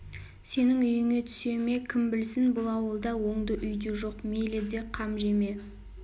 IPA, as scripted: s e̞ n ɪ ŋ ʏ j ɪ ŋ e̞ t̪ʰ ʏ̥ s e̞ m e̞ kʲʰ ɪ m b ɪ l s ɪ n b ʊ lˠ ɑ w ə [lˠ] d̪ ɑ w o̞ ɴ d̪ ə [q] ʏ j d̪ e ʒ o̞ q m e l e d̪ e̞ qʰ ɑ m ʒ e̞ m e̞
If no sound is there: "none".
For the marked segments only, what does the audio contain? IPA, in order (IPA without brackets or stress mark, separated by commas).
lˠ, ʔ